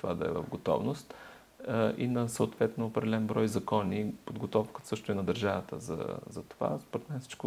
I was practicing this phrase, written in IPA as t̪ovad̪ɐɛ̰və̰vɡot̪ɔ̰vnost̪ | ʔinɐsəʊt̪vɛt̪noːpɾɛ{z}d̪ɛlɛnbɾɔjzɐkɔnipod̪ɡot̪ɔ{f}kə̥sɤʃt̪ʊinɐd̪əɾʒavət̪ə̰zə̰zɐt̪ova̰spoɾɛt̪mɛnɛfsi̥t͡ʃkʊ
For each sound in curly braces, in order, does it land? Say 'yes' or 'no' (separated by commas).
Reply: no, yes